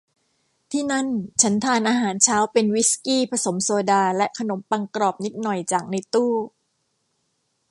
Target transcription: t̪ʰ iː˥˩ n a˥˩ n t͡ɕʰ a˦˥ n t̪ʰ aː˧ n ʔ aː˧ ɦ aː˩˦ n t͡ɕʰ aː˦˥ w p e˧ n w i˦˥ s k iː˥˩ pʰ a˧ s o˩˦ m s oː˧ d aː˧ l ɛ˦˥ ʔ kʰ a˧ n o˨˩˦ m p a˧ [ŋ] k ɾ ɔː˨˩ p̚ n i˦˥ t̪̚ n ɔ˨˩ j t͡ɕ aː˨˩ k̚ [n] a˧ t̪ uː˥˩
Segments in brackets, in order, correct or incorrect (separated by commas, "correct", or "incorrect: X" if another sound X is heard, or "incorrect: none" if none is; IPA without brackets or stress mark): correct, correct